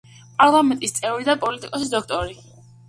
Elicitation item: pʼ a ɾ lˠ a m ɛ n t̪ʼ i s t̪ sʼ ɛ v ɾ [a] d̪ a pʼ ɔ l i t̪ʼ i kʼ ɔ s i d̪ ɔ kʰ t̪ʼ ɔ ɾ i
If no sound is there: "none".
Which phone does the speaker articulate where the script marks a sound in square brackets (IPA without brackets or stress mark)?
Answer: i